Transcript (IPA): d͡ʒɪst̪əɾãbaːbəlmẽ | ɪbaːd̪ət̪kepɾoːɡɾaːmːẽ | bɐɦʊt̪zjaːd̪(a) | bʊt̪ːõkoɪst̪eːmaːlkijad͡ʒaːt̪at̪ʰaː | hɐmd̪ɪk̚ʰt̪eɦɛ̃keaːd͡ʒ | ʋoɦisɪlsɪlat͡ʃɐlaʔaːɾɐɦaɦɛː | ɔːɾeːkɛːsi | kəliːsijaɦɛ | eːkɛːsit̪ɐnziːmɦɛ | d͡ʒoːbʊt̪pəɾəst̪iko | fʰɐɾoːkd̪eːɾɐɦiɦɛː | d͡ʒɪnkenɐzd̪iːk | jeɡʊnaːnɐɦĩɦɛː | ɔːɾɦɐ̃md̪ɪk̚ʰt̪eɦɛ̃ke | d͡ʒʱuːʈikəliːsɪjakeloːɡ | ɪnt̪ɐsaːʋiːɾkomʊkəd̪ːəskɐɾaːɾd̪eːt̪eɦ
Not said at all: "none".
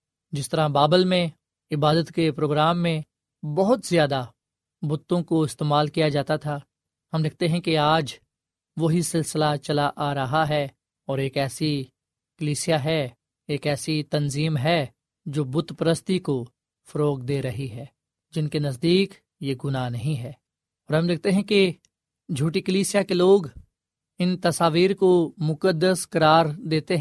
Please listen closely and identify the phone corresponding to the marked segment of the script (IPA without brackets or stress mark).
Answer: a